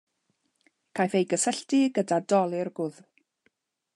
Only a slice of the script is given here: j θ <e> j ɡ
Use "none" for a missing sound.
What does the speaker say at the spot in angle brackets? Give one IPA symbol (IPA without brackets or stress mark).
e